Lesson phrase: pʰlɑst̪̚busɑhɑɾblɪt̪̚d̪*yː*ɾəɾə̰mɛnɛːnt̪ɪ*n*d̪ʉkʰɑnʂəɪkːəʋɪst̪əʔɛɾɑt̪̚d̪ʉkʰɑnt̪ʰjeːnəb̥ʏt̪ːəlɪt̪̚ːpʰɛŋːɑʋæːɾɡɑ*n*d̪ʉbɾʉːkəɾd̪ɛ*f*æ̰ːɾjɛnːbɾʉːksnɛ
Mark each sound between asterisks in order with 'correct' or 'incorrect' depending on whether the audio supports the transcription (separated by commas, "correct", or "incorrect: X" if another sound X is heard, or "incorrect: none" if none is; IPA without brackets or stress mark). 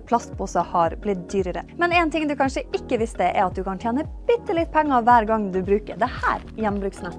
correct, incorrect: ŋ, incorrect: ŋ, incorrect: h